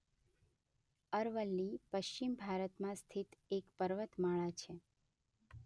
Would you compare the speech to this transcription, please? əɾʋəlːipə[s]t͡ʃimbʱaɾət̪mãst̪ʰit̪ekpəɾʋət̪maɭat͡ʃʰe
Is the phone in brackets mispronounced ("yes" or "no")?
yes